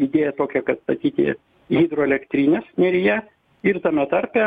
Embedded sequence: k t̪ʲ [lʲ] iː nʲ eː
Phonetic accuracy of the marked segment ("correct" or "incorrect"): incorrect